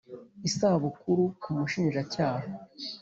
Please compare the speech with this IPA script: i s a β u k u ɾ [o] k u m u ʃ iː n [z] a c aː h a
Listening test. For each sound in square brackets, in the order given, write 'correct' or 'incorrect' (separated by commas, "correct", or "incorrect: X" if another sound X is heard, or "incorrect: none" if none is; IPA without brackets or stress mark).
incorrect: u, incorrect: ʒ